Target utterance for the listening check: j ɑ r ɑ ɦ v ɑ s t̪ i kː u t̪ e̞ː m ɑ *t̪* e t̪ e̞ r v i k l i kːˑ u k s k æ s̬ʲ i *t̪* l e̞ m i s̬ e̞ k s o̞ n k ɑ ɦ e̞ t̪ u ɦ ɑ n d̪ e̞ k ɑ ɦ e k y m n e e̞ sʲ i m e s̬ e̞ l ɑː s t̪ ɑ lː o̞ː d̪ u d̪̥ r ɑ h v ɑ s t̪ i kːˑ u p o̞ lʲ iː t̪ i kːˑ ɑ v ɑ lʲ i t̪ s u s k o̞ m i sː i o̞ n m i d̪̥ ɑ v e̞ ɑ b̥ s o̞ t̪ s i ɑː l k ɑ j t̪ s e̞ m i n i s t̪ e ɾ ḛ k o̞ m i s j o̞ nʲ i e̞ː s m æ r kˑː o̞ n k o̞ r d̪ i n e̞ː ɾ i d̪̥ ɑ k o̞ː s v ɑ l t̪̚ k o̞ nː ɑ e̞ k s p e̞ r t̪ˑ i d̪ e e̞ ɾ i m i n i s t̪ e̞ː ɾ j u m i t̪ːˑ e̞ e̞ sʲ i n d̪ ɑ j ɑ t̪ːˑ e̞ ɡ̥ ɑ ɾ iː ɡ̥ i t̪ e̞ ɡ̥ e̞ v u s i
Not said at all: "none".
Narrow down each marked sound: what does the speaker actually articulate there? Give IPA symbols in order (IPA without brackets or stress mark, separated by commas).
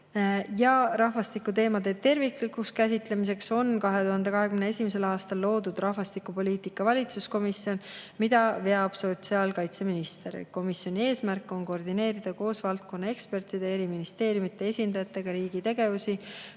d̪, t̪